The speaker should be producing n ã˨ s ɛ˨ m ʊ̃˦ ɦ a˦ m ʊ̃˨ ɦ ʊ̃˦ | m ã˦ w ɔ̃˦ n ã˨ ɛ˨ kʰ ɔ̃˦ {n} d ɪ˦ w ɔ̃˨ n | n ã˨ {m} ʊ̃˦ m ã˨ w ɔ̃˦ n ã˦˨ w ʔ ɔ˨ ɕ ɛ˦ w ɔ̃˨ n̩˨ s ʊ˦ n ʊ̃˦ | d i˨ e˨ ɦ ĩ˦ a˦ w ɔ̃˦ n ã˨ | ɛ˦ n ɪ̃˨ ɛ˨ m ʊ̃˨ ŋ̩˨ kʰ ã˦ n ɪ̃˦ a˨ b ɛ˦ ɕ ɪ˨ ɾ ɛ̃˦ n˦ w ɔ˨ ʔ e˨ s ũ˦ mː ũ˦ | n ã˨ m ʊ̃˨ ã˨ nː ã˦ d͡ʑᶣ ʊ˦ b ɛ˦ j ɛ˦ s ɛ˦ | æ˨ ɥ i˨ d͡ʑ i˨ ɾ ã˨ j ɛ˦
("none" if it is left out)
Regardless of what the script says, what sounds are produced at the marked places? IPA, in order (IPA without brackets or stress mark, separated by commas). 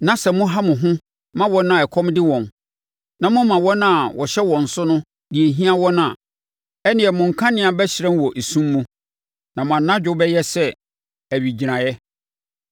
m, m